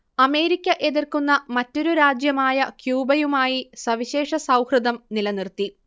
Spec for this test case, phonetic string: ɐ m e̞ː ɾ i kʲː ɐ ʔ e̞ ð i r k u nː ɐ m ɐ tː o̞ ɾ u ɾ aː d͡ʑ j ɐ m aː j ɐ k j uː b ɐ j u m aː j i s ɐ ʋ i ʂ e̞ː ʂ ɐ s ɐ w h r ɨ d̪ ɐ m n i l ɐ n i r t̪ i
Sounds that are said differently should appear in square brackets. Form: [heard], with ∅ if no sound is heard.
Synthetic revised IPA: ɐ m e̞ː ɾ i kʲː ɐ ʔ e̞ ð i r k u nː ɐ m ɐ tː o̞ ɾ u ɾ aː d͡ʑ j ɐ m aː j ɐ k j uː b ɐ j u m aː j i s ɐ ʋ i [ɕ] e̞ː ʂ ɐ s ɐ w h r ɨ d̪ ɐ m n i l ɐ n i r t̪ i